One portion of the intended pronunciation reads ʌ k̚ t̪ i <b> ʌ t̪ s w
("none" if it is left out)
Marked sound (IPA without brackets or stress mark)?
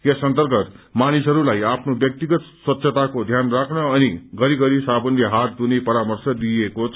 ɡ